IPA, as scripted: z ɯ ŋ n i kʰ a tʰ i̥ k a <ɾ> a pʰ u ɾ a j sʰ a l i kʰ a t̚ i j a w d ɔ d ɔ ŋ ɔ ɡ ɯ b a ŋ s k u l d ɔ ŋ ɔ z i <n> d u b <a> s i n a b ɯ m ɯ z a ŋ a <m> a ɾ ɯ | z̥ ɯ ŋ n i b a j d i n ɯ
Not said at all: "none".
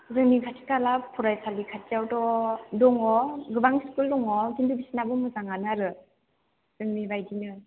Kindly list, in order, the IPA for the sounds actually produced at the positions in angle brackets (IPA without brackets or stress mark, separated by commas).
l, n, i, n